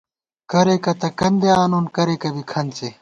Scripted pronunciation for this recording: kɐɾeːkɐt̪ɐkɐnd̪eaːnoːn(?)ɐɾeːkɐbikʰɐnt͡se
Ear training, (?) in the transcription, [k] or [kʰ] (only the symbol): k